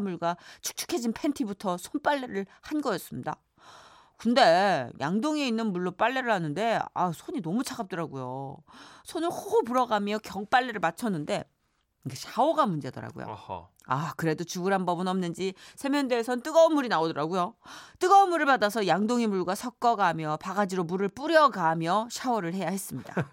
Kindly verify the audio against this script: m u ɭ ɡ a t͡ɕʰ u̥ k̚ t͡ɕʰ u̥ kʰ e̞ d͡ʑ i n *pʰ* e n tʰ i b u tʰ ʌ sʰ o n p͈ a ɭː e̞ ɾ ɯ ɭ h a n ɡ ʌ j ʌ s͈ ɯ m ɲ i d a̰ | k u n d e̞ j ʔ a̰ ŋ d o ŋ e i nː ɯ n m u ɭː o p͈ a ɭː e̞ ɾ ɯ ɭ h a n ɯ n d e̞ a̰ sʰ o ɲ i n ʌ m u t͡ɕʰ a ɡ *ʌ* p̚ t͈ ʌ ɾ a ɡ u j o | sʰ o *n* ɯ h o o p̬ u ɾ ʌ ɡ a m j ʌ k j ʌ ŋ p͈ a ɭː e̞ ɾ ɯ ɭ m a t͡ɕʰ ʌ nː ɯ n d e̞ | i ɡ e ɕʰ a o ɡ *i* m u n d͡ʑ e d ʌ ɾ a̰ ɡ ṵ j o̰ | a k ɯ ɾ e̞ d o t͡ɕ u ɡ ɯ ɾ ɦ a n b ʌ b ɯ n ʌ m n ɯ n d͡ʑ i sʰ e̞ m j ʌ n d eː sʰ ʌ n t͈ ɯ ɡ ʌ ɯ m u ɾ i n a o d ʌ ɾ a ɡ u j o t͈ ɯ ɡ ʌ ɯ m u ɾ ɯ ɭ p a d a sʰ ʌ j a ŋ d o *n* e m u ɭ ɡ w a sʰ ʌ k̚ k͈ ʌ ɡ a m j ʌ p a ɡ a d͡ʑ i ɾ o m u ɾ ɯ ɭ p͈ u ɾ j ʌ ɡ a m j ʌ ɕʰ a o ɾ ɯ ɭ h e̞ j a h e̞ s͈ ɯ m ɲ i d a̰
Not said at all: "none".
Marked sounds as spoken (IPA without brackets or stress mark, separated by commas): pʰ, a, n, a, ŋ